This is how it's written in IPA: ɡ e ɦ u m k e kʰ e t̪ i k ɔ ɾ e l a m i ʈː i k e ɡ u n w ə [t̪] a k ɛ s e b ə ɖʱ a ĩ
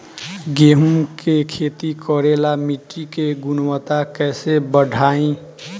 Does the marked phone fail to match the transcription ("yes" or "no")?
no